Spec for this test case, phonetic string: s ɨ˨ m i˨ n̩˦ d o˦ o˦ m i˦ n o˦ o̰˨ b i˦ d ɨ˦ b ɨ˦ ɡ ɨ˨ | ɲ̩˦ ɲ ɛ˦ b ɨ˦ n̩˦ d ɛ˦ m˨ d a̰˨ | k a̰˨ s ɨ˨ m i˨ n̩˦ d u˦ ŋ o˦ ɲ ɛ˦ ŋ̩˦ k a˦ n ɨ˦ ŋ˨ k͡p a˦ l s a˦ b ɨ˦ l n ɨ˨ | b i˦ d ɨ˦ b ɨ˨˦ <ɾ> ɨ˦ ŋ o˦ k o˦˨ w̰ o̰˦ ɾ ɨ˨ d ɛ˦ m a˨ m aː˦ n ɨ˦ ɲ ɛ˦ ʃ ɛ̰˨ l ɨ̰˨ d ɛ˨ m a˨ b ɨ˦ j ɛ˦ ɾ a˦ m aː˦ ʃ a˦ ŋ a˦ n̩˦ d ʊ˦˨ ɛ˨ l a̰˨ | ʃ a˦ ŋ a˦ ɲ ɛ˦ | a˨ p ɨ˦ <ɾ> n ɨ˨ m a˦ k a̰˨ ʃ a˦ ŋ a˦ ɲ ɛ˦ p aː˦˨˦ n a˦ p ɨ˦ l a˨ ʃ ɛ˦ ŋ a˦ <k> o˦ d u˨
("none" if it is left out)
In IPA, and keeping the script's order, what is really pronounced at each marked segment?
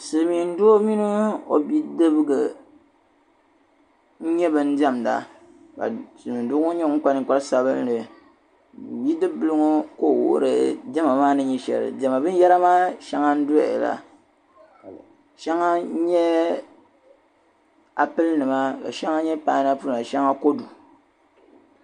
l, l, k

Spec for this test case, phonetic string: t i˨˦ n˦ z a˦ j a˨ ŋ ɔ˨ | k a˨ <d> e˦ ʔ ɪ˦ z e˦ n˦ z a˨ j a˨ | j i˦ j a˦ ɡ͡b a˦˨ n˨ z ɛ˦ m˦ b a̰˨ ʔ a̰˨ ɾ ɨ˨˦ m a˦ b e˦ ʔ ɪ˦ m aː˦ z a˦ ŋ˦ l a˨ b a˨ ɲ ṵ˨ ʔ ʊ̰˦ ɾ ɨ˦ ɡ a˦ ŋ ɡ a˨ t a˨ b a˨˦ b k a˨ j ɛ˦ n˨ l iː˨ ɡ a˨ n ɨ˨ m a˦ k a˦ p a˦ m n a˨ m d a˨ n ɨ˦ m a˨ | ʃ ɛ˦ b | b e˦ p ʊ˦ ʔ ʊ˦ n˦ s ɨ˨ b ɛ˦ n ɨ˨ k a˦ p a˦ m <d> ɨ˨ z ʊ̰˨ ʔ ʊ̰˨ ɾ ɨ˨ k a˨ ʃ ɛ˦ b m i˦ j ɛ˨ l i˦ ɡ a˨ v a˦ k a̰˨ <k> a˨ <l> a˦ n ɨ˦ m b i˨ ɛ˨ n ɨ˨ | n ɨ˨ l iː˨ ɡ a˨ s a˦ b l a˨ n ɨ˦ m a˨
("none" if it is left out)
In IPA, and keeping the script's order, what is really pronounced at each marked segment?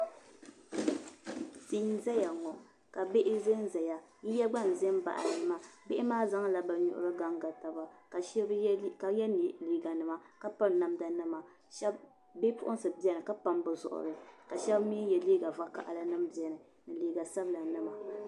b, b, ʔ, l

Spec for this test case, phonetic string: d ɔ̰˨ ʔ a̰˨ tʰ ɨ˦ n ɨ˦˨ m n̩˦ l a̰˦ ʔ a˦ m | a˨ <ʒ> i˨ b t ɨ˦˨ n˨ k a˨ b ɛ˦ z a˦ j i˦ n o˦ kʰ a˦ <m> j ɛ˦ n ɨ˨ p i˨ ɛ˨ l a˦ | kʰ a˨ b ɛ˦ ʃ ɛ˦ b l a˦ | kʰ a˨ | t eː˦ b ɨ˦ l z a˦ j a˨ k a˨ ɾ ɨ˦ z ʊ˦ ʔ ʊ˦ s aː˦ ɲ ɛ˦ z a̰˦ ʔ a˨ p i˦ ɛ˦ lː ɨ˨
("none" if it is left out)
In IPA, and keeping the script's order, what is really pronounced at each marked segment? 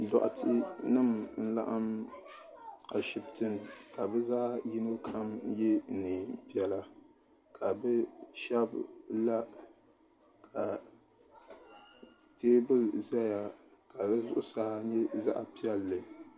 ʃ, m

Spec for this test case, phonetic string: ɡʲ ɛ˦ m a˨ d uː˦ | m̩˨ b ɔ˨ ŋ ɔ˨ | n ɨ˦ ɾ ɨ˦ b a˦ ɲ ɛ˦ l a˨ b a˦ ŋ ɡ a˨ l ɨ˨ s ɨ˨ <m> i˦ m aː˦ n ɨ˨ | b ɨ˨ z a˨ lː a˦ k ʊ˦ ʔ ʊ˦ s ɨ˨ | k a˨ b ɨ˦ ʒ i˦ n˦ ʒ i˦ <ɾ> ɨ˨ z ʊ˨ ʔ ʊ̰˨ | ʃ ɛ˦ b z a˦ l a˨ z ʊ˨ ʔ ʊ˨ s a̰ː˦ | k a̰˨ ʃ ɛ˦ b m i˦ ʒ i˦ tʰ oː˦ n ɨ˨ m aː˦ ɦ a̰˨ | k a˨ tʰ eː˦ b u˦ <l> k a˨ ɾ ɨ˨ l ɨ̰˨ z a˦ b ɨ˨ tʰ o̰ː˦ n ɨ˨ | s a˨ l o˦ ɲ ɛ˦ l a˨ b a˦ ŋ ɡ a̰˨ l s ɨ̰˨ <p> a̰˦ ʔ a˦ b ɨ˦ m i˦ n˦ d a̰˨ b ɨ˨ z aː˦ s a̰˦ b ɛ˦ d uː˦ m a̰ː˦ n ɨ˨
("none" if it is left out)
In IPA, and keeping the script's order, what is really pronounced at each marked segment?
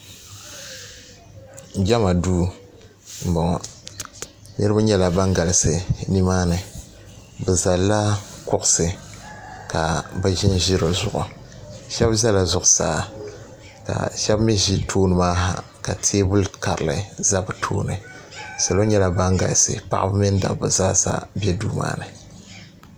n, ɾ, l, p

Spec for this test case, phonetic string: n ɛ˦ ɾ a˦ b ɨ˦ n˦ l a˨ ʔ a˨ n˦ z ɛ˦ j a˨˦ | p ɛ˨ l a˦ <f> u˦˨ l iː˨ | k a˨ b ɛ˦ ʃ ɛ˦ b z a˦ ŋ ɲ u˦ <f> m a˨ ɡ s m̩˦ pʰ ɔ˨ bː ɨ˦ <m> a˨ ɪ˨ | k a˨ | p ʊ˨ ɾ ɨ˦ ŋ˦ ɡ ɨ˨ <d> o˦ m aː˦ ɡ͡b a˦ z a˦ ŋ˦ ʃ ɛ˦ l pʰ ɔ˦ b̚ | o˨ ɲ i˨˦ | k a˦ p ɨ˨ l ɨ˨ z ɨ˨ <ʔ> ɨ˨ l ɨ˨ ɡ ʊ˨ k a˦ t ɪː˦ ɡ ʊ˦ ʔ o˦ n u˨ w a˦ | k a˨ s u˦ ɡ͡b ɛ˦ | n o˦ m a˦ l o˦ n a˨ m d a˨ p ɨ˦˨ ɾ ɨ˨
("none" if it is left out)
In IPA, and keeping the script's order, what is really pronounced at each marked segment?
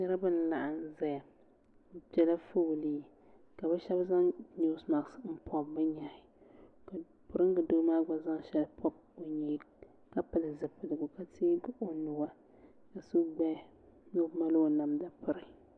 f, s, ɲ, d, p

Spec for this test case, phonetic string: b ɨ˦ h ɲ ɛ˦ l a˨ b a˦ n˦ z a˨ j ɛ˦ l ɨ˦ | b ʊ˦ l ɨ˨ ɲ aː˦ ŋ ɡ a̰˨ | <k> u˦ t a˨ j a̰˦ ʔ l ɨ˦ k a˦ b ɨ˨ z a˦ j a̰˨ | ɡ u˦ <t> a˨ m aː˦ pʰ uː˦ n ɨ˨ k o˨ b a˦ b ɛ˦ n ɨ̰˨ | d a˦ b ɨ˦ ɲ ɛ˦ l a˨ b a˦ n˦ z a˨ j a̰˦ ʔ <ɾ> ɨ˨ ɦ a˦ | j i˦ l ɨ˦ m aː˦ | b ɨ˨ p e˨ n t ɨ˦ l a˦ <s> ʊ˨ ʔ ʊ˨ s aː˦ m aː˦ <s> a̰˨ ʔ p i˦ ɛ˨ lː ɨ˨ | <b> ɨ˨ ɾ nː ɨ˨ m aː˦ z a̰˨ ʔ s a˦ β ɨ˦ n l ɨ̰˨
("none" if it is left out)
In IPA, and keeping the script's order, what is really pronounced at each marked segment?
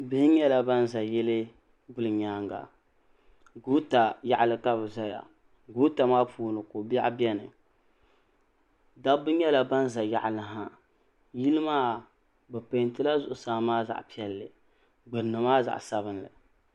ɡ, t, l, z, z, ɡ͡b

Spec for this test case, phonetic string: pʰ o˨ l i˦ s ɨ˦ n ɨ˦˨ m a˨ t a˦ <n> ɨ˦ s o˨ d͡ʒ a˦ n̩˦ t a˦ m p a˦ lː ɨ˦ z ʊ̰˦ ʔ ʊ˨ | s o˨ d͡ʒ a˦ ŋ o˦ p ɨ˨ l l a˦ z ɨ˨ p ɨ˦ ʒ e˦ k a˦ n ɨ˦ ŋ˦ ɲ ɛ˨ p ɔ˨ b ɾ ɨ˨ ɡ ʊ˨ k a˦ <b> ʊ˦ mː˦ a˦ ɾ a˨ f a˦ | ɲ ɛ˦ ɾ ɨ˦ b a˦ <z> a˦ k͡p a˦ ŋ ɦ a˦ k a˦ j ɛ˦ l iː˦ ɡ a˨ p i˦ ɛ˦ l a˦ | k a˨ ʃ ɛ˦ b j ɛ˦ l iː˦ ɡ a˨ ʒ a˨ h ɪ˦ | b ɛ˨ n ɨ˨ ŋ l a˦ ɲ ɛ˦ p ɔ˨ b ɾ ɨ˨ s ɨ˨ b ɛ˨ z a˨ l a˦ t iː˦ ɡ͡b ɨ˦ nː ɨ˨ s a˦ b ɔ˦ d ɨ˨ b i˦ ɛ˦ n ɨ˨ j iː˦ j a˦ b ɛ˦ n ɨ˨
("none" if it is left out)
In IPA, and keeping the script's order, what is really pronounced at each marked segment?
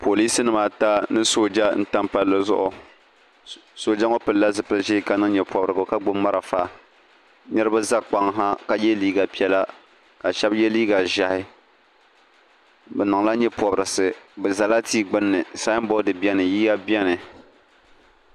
n, ɡ͡b, z

